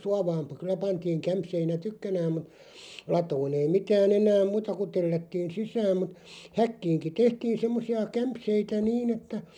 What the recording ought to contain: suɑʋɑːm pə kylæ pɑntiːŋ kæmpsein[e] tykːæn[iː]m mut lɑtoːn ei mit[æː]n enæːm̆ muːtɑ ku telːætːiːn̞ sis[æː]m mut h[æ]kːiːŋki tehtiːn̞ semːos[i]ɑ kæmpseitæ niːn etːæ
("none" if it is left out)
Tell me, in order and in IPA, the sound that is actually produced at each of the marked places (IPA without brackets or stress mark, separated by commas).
æ, æː, æː, æː, æ, i